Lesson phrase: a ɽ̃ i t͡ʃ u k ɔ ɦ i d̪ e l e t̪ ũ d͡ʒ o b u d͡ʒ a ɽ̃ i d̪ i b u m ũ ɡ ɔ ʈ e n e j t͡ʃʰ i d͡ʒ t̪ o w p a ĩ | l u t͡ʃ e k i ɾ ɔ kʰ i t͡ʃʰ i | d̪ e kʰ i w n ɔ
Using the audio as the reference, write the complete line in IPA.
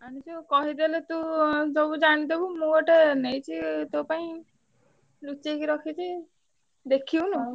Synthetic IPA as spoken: a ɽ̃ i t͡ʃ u k ɔ ɦ i d̪ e l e t̪ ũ d͡ʒ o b u d͡ʒ a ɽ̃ i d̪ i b u m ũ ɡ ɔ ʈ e n e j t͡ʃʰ i t̪ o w p a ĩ | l u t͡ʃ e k i ɾ ɔ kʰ i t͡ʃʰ i | d̪ e kʰ i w n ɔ